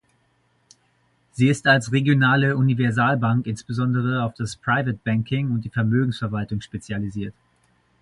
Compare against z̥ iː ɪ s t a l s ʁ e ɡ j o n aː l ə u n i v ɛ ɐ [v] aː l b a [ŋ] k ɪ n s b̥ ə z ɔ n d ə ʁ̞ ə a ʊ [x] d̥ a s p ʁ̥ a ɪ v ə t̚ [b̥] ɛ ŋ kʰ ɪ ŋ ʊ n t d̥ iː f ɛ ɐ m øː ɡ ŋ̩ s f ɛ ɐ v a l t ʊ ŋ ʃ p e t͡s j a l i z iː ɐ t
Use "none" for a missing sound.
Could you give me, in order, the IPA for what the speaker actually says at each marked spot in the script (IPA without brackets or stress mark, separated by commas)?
z, ŋ, f, b̥